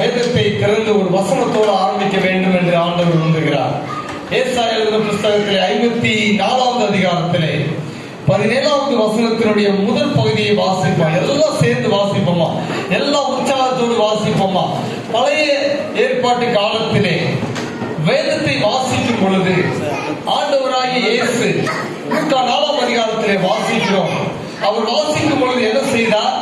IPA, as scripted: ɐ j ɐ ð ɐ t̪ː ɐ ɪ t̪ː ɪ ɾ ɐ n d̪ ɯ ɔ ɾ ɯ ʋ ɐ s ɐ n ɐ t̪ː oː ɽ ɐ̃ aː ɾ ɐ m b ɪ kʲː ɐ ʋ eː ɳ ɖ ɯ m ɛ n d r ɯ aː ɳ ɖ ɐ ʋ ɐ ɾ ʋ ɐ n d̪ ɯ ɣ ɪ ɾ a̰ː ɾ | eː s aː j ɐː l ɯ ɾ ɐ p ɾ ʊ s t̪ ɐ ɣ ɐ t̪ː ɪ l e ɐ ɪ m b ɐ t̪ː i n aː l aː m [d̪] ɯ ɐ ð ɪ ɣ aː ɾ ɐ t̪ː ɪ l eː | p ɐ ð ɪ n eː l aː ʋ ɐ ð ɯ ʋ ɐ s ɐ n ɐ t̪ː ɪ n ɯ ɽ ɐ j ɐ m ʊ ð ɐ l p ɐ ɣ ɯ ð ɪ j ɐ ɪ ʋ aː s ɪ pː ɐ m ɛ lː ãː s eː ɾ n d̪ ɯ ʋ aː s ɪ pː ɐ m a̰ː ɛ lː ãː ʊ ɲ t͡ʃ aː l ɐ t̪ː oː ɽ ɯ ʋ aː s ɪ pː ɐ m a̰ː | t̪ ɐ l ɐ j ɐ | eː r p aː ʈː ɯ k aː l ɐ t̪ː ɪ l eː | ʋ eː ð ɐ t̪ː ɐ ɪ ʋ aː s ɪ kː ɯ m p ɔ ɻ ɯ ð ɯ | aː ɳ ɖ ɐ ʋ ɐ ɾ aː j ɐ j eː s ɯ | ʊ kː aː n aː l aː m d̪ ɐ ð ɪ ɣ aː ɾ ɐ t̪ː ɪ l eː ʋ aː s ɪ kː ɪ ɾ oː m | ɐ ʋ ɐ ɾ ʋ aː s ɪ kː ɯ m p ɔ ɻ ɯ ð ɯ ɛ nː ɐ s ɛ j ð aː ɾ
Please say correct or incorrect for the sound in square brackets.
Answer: correct